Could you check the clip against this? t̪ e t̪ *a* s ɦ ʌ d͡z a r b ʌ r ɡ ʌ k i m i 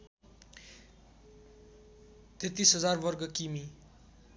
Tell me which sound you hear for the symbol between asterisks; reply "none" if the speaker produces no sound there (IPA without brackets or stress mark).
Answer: i